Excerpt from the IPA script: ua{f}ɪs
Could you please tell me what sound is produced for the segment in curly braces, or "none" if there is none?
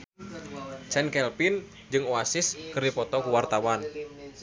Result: s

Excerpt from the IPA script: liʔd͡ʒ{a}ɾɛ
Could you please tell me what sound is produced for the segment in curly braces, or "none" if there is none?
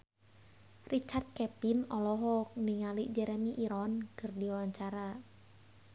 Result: ɛ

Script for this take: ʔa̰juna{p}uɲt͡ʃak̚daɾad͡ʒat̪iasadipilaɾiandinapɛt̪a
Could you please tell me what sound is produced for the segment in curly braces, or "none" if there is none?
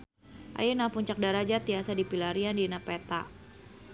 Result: p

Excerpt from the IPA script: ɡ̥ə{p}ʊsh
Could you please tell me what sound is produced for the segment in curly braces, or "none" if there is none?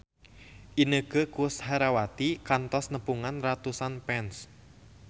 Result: k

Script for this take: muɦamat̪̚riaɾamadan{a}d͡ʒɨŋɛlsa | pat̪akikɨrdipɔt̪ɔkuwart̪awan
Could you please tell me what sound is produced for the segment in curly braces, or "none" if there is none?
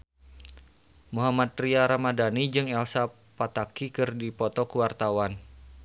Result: i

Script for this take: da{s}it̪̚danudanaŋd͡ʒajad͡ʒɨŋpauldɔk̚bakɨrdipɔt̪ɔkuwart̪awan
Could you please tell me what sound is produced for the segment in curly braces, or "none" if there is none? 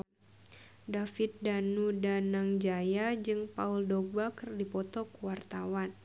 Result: f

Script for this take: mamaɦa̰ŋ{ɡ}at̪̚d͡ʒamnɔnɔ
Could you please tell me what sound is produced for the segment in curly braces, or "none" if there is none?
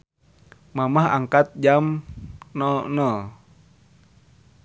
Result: k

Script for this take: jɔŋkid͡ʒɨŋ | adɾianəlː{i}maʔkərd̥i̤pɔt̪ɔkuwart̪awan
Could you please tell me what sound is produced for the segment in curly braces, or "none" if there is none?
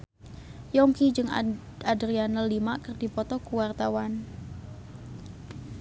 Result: i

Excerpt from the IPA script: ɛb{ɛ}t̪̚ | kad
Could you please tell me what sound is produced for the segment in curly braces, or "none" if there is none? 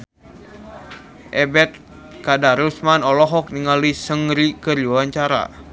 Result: ɛ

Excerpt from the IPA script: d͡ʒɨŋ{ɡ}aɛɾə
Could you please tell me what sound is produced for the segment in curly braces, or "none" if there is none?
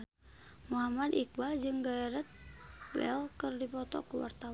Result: ɡ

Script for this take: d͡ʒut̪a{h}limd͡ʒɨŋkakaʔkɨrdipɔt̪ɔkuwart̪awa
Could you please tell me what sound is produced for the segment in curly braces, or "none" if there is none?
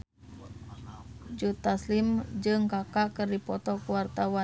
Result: s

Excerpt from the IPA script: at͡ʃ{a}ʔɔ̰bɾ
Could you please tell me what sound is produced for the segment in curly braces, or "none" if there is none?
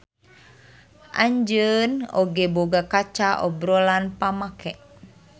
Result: a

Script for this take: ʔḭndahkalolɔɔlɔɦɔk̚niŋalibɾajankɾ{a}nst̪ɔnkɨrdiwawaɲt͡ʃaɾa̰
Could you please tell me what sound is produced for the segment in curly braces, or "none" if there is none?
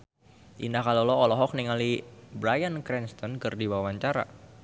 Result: ɛ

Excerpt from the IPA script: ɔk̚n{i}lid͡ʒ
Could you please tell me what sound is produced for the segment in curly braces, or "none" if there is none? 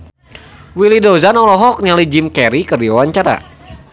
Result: a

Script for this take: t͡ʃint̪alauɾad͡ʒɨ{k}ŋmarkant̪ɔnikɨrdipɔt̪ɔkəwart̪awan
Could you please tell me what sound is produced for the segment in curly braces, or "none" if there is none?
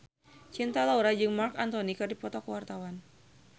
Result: none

